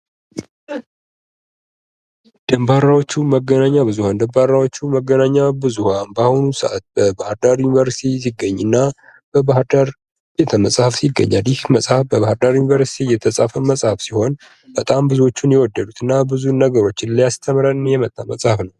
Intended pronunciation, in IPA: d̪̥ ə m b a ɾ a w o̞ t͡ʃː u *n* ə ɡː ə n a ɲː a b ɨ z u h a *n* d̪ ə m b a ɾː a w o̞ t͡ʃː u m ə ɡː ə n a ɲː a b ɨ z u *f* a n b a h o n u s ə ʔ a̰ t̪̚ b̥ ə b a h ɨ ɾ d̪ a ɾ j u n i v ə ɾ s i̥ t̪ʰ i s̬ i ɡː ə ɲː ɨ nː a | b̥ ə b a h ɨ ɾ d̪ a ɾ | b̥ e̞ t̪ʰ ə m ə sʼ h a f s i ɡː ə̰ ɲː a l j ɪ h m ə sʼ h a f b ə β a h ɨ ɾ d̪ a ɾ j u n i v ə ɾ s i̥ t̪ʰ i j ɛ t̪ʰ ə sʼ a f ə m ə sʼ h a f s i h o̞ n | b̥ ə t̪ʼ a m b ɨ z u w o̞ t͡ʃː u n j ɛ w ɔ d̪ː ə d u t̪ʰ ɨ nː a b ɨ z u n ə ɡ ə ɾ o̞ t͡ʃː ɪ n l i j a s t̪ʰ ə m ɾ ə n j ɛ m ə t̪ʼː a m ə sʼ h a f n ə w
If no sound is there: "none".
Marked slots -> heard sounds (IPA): m, n, h

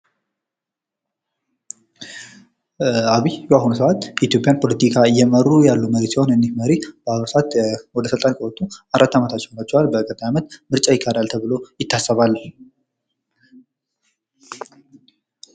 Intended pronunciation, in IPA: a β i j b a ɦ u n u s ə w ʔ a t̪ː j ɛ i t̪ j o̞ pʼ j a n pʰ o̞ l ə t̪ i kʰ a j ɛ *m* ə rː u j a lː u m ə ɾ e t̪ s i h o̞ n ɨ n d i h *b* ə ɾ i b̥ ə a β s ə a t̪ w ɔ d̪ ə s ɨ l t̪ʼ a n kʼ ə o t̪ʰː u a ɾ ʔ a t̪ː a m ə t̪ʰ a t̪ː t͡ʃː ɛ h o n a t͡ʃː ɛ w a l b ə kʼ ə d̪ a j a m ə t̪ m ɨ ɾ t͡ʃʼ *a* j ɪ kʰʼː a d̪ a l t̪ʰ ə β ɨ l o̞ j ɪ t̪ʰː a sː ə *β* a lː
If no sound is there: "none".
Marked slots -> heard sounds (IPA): m, m, a, β

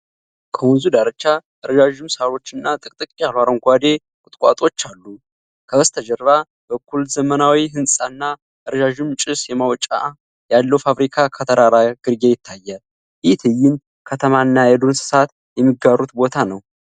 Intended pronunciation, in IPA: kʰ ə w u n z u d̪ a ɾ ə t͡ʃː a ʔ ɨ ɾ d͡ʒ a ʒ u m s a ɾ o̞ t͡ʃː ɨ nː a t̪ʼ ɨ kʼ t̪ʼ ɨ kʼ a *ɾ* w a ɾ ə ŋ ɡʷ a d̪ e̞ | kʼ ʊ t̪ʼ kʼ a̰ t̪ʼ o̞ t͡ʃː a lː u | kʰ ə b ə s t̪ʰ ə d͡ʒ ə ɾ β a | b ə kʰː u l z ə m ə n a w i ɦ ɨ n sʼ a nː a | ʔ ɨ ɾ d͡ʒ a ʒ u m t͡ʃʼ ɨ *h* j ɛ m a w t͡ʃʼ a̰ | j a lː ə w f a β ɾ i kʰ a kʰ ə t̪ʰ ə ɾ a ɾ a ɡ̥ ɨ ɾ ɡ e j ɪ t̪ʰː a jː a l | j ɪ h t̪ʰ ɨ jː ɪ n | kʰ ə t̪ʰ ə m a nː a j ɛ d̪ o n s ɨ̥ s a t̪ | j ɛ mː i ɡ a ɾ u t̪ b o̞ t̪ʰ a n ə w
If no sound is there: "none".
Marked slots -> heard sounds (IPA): l, s

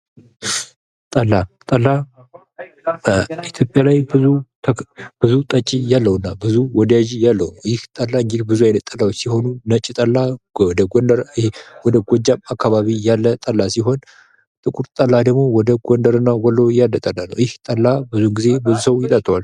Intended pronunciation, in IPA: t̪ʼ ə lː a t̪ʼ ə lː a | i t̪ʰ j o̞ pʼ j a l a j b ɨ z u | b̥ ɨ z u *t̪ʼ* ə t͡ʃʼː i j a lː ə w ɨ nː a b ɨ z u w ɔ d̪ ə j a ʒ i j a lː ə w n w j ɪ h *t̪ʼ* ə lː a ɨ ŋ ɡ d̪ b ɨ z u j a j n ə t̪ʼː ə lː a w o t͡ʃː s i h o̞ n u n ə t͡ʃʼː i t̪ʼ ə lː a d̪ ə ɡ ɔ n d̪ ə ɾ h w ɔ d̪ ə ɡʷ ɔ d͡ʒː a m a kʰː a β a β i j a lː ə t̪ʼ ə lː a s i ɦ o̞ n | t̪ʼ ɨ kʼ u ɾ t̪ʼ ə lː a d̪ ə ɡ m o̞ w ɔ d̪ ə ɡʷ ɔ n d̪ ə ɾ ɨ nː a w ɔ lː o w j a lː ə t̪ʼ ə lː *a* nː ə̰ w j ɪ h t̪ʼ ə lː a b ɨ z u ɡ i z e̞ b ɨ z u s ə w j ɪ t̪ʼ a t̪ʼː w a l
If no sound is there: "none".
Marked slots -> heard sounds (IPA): t̪ʼ, t̪ʼ, a

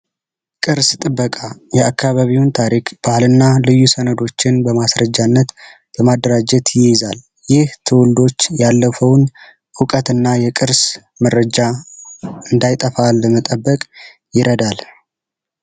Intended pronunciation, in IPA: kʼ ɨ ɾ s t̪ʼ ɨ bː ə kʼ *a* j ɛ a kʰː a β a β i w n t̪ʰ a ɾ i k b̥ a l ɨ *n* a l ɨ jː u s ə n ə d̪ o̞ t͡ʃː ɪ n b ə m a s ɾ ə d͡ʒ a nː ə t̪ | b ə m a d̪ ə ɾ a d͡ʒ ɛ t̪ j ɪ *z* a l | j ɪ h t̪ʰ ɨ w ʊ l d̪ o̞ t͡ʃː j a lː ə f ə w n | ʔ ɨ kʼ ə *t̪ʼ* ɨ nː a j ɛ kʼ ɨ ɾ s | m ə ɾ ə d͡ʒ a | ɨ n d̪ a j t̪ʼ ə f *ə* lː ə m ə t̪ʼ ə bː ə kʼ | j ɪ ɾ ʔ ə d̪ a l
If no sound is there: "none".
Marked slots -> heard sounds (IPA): a, nː, z, t̪, a

